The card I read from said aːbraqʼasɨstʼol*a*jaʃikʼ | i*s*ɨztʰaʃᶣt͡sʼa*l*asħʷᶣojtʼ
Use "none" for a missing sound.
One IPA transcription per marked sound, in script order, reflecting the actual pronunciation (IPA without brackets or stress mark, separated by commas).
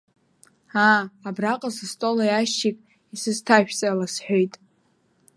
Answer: a, s, l